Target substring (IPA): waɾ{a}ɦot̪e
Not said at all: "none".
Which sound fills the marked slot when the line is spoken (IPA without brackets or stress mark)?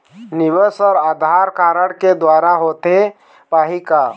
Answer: a